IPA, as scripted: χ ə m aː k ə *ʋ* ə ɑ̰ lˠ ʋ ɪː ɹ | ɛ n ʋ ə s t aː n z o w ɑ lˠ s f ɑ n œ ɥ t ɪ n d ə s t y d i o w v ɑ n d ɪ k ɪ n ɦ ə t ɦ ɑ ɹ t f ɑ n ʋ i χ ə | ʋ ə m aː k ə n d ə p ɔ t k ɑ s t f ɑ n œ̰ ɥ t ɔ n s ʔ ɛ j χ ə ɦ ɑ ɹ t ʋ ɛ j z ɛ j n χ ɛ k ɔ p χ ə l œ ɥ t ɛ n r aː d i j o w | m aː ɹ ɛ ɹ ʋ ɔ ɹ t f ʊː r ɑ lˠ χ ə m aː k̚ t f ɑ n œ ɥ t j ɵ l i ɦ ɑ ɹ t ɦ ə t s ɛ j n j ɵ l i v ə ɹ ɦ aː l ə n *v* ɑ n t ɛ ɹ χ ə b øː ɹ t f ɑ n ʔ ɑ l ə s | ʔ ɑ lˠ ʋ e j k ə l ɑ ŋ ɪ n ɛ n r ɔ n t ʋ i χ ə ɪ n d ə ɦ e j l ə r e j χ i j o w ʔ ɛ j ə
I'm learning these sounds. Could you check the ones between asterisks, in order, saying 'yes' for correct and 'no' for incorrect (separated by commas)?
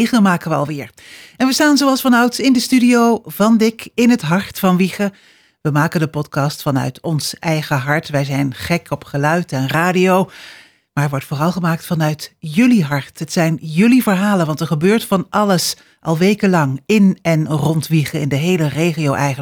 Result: yes, no